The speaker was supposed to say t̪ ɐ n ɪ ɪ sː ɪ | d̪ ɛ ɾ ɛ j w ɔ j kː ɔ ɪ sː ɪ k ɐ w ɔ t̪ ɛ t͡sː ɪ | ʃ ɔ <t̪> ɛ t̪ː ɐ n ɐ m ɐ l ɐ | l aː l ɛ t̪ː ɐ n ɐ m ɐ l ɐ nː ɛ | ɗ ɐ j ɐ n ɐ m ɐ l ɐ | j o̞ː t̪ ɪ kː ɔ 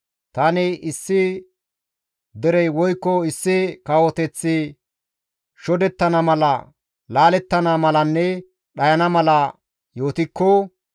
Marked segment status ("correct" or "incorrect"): incorrect